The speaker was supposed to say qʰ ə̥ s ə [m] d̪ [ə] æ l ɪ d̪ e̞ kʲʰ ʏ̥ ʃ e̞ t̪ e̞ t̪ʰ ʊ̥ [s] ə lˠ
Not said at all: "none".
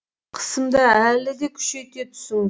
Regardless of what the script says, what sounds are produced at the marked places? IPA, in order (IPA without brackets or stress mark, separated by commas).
m, ɑ, s